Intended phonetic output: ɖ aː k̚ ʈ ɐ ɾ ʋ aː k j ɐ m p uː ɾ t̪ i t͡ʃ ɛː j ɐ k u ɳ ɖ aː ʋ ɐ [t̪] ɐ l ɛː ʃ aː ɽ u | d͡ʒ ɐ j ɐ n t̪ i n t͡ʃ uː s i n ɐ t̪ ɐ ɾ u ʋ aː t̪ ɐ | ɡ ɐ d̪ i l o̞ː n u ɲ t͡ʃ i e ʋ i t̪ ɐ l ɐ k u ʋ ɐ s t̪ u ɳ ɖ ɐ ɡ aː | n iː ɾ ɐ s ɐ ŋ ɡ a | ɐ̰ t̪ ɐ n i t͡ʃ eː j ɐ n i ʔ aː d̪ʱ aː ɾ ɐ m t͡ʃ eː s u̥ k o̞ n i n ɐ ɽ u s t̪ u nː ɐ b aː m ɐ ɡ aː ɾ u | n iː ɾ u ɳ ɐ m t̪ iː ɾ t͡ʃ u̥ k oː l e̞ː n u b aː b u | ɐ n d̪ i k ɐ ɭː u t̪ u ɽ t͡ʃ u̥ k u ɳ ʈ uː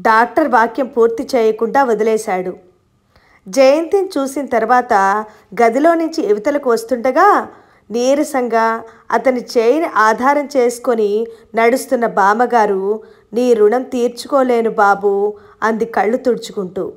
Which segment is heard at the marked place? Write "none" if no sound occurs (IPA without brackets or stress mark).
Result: d̪